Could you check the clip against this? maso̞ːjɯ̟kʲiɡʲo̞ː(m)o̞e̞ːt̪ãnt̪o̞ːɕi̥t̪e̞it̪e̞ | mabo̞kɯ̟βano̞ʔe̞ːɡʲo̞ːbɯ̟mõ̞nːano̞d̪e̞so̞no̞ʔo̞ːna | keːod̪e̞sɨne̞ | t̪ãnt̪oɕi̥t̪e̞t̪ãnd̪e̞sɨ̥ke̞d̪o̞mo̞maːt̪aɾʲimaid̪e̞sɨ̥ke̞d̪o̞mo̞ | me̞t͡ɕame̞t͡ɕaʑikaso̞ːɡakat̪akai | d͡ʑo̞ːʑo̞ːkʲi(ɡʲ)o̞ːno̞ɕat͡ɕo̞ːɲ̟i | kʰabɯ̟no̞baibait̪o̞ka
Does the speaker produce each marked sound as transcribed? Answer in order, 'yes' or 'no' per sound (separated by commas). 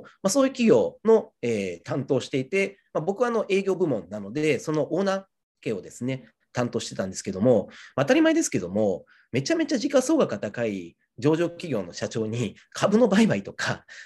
no, yes